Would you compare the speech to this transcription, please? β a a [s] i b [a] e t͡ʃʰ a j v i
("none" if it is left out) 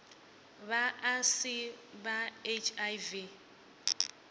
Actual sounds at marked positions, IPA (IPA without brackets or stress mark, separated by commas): s, a